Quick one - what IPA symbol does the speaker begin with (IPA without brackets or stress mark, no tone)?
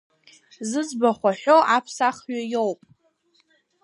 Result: z